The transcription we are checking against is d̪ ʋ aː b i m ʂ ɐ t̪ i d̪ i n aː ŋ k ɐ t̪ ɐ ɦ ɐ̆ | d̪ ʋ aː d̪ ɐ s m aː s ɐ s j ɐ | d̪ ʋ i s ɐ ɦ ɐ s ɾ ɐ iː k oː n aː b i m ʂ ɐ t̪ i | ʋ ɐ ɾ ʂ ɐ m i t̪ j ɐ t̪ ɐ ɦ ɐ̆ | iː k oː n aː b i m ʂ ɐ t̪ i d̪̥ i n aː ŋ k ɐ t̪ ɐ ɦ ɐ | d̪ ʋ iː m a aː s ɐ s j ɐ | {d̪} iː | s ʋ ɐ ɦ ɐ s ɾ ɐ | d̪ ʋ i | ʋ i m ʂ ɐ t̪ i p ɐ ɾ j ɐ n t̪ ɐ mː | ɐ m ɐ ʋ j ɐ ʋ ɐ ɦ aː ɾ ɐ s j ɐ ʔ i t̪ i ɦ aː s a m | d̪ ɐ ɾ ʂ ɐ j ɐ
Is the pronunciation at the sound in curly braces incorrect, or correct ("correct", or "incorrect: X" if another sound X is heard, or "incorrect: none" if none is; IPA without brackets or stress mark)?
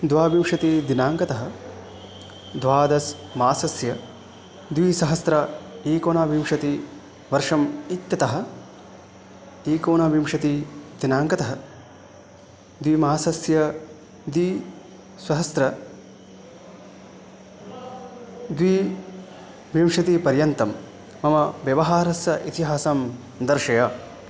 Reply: correct